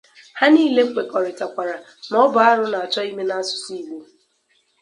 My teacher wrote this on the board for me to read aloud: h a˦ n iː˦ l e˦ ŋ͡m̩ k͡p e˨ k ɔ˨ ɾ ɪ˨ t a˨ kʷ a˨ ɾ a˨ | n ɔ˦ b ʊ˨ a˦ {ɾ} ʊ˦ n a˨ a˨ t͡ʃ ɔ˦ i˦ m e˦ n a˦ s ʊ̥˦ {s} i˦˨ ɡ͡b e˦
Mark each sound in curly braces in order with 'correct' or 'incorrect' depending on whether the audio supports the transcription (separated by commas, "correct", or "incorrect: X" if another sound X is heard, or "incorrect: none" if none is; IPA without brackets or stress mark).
correct, correct